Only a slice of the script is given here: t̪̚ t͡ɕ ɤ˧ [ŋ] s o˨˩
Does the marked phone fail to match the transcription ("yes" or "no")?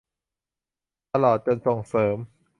yes